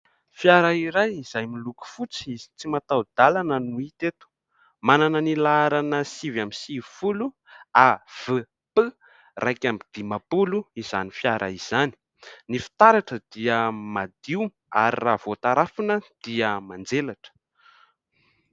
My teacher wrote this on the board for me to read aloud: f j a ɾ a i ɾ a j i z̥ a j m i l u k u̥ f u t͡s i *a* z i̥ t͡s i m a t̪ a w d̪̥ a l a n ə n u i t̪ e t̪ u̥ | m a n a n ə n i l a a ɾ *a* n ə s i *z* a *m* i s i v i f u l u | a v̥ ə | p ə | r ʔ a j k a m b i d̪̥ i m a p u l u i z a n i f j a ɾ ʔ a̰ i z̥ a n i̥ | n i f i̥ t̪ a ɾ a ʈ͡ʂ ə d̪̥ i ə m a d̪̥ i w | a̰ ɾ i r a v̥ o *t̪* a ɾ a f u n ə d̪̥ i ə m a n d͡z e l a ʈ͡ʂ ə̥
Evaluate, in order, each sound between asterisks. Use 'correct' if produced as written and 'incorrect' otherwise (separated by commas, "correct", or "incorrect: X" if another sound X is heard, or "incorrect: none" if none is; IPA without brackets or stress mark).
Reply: incorrect: i, correct, incorrect: v, correct, correct